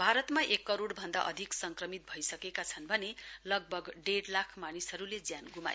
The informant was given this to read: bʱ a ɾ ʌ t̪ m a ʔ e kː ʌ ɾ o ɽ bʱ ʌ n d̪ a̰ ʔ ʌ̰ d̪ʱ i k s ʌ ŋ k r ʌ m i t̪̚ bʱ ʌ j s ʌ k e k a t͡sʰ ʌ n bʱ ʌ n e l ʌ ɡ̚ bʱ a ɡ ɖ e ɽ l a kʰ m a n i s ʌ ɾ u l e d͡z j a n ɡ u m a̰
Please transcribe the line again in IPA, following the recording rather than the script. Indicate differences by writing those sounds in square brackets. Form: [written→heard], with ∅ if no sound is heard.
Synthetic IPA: bʱ a ɾ ʌ t̪ m a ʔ e kː ʌ ɾ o ɽ bʱ ʌ n d̪ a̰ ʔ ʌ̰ d̪ʱ i k s ʌ ŋ k r ʌ m i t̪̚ bʱ ʌ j s ʌ k e k a t͡sʰ ʌ n bʱ ʌ n e l ʌ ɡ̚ bʱ [a→ʌ] ɡ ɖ e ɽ l a kʰ m a n i s ʌ ɾ u l e d͡z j a n ɡ u m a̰